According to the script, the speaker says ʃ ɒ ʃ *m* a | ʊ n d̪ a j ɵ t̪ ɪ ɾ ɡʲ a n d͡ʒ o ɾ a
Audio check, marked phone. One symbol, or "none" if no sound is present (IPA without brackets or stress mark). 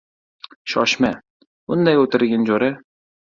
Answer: m